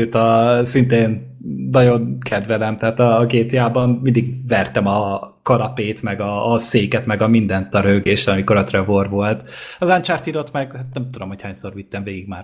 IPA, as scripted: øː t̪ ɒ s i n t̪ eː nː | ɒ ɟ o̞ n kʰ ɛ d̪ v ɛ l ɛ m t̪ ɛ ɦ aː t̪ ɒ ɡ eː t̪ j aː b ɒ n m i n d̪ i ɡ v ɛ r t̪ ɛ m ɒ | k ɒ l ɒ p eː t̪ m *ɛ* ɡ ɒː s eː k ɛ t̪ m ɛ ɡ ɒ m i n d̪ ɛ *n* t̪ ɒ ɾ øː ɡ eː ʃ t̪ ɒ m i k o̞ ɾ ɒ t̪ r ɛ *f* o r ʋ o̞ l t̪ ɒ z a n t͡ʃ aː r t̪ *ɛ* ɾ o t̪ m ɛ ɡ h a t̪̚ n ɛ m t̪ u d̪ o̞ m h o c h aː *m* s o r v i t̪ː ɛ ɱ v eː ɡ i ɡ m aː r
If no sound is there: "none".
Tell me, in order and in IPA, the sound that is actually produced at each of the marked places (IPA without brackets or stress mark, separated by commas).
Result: ɛ, n, v, i, ɲ